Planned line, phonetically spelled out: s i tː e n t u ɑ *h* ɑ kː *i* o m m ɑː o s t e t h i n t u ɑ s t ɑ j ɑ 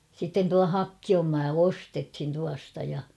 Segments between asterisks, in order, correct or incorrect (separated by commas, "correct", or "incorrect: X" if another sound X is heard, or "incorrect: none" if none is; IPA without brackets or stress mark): correct, correct